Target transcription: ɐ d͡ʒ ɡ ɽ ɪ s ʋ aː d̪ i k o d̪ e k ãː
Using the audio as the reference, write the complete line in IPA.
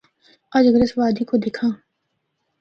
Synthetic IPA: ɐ d͡ʒ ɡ ɾ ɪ s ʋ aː d̪ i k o d̪ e kʰ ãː